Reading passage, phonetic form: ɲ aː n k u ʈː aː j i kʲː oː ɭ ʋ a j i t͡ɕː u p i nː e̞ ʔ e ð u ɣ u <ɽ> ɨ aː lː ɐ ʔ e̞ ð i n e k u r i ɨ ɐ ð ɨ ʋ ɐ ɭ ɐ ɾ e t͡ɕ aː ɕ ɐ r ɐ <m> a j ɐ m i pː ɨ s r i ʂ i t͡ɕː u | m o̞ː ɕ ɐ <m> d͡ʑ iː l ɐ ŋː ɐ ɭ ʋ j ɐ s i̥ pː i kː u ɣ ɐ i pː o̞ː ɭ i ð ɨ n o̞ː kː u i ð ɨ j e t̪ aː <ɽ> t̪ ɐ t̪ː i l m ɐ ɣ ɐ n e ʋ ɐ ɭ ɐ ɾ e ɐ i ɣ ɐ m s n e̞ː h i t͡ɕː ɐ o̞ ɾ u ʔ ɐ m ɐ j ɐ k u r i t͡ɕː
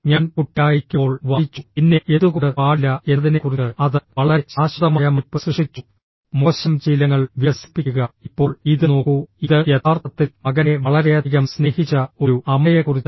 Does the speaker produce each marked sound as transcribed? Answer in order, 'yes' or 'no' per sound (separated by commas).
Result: yes, yes, yes, no